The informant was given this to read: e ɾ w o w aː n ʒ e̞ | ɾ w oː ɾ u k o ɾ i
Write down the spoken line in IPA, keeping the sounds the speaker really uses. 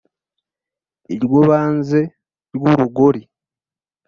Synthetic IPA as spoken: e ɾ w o β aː n z e̞ | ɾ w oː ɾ u ɡ o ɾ i